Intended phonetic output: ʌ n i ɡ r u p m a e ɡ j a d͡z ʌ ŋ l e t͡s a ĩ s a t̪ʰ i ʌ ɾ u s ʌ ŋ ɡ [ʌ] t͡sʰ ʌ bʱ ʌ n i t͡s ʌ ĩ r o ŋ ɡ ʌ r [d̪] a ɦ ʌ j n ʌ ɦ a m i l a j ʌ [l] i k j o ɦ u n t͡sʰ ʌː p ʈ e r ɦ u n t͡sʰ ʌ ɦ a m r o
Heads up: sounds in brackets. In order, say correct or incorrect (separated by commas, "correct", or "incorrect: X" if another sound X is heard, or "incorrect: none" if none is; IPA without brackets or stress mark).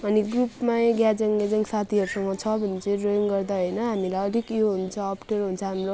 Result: correct, correct, correct